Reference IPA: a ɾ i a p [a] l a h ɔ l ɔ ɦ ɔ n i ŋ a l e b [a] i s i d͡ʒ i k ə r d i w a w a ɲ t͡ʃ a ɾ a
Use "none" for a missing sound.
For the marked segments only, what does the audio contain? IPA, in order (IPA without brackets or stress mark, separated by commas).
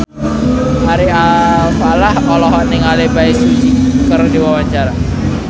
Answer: a, a